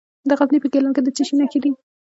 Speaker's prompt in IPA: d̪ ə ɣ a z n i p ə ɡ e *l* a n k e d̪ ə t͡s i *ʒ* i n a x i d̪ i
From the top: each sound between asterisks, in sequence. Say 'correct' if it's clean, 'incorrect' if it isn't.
correct, incorrect: ʃ

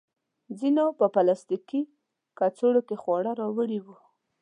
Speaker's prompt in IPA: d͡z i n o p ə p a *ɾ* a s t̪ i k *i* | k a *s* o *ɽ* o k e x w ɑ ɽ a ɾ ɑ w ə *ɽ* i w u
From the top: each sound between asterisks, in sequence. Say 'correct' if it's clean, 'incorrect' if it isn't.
incorrect: l, correct, incorrect: t͡s, correct, correct

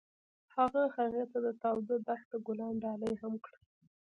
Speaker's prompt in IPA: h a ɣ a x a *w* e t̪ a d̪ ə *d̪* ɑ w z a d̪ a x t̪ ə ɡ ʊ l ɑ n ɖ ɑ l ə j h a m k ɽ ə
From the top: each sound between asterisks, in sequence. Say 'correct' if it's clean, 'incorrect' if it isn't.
incorrect: ɣ, incorrect: t̪

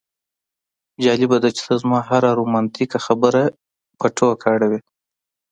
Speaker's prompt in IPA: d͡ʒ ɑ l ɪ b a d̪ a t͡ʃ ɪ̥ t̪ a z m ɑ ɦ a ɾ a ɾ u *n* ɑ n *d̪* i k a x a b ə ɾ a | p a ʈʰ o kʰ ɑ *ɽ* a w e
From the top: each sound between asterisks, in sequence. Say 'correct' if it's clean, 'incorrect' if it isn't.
incorrect: m, incorrect: t̪, correct

